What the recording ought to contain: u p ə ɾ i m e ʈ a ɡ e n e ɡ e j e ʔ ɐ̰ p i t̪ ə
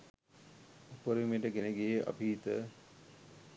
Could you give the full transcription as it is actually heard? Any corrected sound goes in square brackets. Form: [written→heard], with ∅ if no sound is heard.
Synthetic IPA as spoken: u p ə ɾ i m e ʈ [a→ə] ɡ e n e ɡ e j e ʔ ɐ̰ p i t̪ ə